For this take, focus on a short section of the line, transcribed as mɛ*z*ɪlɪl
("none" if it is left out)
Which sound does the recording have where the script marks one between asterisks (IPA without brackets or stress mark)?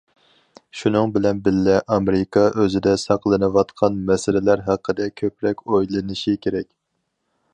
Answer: s